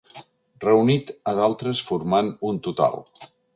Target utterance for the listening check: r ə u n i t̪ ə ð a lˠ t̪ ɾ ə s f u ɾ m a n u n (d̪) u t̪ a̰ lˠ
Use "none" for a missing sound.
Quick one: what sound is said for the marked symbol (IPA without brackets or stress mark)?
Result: t̪